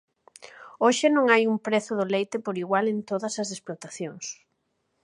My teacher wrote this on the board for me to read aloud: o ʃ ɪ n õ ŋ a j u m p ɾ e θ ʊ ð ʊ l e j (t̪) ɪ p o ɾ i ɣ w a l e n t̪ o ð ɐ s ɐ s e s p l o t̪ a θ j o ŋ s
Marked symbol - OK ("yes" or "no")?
yes